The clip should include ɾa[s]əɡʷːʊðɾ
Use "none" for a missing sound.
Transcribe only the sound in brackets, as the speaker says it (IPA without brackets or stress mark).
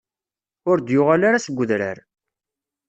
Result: s